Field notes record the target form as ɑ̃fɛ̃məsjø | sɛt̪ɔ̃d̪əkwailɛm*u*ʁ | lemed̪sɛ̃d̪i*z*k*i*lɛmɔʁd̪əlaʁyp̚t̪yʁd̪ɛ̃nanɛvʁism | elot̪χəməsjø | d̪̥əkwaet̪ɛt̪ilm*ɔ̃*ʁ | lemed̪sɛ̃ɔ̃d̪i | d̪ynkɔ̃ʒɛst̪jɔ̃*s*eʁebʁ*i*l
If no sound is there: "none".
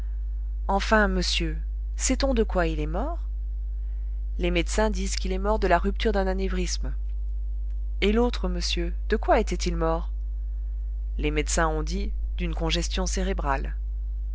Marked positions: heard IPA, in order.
ɔ, z, i, ɔ, s, a

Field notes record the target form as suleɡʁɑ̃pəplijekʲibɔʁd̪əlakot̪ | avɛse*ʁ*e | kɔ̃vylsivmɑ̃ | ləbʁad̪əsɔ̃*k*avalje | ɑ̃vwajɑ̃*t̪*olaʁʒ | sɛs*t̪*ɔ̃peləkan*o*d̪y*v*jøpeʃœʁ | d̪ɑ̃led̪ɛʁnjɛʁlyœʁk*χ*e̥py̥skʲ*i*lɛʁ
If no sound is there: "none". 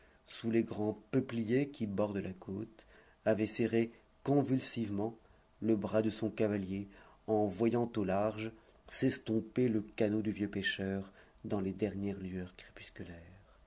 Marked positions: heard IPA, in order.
ʁ, k, t̪, t̪, o, v, χ, y

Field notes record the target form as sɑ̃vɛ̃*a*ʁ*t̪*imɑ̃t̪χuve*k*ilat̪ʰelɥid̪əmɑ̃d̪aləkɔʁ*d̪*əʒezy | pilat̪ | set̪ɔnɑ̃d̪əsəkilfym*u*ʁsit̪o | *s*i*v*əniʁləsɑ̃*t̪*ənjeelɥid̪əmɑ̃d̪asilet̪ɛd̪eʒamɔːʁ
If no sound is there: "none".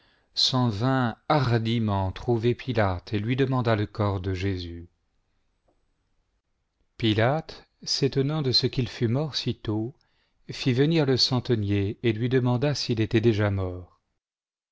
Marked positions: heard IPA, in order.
a, d̪, p, d̪, ɔ, f, v, t̪

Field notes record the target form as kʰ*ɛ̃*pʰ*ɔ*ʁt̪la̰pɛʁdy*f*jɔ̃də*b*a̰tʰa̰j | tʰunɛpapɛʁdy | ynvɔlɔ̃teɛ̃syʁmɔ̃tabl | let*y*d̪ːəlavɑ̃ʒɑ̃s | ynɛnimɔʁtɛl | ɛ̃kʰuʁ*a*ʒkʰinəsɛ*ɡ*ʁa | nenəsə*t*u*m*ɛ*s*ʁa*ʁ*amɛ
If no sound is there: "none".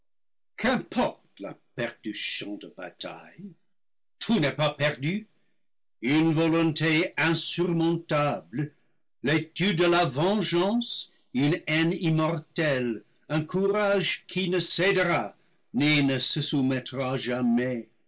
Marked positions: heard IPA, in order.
ɛ̃, ɔ, s, b, y, a, d, s, m, t, ʒ

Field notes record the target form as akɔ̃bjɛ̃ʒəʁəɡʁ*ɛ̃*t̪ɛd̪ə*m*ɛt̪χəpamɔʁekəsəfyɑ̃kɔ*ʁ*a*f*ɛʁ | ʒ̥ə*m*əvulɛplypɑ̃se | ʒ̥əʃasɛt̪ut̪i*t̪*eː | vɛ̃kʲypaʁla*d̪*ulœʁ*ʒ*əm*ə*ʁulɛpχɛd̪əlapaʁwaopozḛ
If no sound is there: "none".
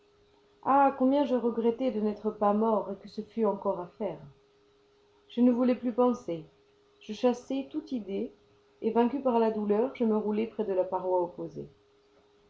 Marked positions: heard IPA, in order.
ɛ, n, ʁ, f, n, d̪, d̪, ʒ, ə

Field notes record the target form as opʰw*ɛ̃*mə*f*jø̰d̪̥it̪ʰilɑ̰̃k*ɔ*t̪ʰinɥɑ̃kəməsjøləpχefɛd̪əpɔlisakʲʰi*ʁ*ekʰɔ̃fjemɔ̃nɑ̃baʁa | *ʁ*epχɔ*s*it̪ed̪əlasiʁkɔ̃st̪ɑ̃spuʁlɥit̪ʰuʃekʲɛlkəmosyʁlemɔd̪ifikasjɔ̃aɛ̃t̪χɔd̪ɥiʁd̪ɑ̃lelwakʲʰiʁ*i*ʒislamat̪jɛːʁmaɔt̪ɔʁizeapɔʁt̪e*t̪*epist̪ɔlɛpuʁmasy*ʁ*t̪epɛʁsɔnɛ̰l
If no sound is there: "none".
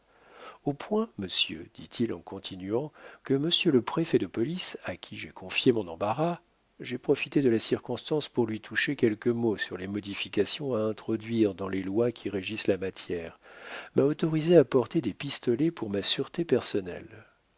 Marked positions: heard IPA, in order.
ɛ̃, s, ɔ̃, ʒ, ʒ, f, e, d̪, ʁ

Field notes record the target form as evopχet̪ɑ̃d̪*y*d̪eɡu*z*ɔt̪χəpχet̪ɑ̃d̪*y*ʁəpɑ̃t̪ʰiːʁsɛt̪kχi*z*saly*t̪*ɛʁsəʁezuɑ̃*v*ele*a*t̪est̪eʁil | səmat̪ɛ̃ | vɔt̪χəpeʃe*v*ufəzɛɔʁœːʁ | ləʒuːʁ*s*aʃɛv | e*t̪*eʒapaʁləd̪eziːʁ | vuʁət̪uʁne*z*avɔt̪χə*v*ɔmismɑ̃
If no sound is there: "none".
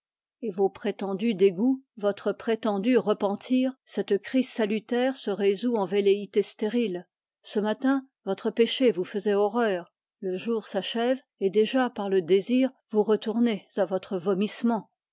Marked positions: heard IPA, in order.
y, v, y, z, t̪, v, i, v, s, d̪, z, v

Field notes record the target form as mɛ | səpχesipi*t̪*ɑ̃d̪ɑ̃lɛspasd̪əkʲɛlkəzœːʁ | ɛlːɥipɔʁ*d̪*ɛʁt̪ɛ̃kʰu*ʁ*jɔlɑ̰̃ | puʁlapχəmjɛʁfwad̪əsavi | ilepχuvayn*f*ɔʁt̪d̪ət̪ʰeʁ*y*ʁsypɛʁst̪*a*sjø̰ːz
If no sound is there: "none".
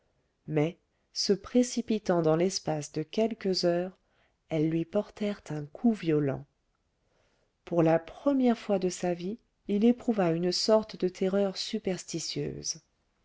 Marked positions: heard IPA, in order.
t̪, t̪, v, s, œ, i

